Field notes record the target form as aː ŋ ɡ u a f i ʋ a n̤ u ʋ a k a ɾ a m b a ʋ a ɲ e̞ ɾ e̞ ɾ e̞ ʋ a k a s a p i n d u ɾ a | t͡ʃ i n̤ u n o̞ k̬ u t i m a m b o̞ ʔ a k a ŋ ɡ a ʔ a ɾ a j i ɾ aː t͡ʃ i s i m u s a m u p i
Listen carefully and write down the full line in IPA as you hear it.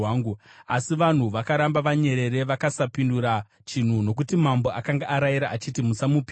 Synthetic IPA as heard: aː ŋ ɡ u a s i ʋ a n̤ u ʋ a k a ɾ a m b a ʋ a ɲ e̞ ɾ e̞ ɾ e̞ ʋ a k a s a p i n d u ɾ a | t͡ʃ i n̤ u n o̞ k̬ u t i m a m b o̞ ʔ a k a ŋ ɡ a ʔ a ɾ a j i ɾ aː t͡ʃ i t i m u s a m u p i